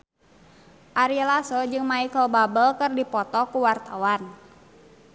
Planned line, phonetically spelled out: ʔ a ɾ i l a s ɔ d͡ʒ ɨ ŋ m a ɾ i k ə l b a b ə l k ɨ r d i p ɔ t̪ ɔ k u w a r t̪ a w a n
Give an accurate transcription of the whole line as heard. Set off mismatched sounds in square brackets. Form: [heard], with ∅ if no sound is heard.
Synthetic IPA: ʔ a ɾ i l a s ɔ d͡ʒ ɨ ŋ m a [∅] i k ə l b a b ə l k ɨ r d i p ɔ t̪ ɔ k u w a r t̪ a w a n